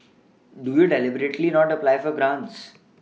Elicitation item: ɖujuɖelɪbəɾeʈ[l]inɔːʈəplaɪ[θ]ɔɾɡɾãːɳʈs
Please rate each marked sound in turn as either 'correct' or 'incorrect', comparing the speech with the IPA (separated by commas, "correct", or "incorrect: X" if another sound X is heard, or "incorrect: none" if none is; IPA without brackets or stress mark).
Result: correct, incorrect: f